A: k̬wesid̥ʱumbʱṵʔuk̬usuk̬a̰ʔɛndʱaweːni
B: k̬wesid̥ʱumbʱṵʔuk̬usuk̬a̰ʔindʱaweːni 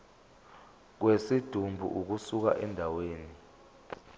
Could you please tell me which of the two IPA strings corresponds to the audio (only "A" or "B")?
A